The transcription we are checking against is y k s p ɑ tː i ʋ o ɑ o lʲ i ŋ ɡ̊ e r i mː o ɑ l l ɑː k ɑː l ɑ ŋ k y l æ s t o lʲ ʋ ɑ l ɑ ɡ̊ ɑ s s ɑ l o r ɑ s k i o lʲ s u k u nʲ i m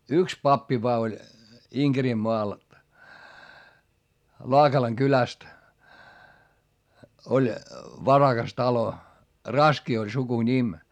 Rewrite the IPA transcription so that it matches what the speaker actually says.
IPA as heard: y k s p ɑ pː i ʋ o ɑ o lʲ i ŋ ɡ̊ e r i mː o ɑ l l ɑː k ɑ l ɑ ŋ k y l æ s t o lʲ ʋ ɑ r ɑ ɡ̊ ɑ s t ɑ l o r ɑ s k i o lʲ s u k u nʲ i m